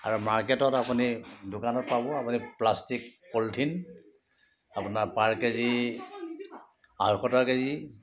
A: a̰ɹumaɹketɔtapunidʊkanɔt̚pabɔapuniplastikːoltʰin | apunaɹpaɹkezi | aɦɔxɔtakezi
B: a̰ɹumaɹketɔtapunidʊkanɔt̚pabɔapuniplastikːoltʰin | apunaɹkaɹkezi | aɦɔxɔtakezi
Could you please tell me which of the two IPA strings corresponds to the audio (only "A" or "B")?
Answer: A